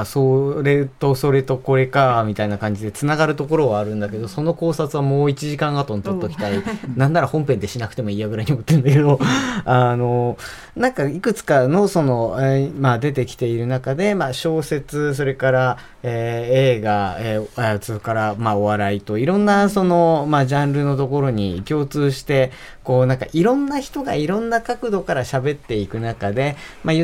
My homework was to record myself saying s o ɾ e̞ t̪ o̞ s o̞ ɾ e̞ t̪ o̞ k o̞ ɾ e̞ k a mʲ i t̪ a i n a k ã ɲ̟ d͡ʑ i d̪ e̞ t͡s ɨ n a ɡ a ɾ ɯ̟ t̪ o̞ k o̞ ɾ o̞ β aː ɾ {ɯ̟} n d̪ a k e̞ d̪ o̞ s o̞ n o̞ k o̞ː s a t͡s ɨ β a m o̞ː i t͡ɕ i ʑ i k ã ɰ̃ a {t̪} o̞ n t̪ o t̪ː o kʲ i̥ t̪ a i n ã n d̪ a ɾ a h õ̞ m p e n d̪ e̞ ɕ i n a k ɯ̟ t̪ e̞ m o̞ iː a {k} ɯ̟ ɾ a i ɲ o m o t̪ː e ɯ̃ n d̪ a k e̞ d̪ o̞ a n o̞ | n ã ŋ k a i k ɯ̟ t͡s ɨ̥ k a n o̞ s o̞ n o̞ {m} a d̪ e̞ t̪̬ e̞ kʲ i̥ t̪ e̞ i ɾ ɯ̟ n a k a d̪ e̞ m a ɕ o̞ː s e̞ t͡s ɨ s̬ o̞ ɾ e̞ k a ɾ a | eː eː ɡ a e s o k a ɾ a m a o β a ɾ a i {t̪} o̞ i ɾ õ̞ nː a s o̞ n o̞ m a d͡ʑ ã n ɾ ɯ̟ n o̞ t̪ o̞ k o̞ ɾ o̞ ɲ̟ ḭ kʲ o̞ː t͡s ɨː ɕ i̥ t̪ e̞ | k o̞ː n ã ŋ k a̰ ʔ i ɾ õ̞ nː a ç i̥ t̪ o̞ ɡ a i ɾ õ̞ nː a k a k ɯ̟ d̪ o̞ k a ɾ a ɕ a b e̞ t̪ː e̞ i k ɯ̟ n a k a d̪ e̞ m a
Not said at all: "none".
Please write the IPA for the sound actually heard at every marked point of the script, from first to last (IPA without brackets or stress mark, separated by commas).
ɯ̟̃, t̪, ɡ, m, t̪